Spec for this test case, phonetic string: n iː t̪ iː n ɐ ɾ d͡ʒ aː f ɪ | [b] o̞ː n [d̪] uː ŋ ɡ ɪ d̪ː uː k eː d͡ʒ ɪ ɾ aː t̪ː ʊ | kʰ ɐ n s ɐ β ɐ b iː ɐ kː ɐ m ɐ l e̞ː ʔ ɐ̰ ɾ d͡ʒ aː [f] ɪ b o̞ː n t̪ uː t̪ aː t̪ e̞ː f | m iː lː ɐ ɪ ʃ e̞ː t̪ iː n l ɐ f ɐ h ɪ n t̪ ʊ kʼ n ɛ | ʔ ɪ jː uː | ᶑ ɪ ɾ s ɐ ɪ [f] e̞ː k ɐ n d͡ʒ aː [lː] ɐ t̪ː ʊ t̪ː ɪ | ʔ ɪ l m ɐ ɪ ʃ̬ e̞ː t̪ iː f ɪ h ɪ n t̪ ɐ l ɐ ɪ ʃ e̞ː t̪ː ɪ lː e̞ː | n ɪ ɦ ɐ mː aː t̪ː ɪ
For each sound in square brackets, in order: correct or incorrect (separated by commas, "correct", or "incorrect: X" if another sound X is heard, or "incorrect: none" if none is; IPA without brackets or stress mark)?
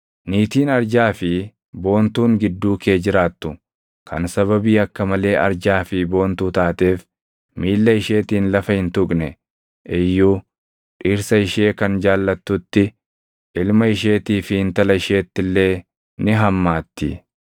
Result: correct, incorrect: t̪, correct, incorrect: ʃ, correct